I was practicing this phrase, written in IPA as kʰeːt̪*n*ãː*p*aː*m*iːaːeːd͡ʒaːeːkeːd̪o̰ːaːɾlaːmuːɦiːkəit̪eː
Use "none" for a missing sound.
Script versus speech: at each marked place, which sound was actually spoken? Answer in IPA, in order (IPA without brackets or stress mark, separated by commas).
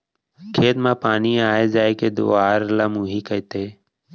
m, p, n